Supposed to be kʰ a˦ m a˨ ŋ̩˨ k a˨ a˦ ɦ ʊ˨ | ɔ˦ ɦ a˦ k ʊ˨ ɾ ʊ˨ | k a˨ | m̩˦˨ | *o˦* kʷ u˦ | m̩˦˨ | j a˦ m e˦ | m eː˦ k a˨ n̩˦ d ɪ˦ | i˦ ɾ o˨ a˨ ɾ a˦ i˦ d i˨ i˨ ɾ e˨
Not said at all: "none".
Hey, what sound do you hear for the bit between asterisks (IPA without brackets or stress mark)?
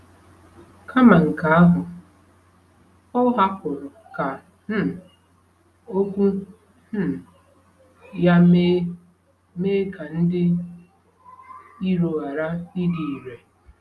o˦